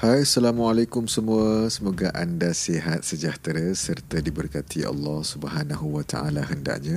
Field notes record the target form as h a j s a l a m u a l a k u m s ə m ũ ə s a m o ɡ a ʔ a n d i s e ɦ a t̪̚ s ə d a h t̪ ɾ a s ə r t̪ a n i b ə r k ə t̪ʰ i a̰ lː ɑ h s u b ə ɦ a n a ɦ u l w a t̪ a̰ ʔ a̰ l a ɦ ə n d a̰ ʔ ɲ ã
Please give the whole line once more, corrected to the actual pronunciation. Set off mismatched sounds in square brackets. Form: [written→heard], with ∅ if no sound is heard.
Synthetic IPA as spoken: h a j s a l a m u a l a k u m s ə m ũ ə s [a→ə] m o ɡ a ʔ a n d [i→a] s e ɦ a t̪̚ s ə [d→d͡ʒ] a h t̪ ɾ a s ə r t̪ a [n→d] i b ə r k [ə→a] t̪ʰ i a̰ lː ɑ h s u b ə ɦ a n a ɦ u [l→∅] w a t̪ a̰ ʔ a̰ l a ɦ ə n d a̰ ʔ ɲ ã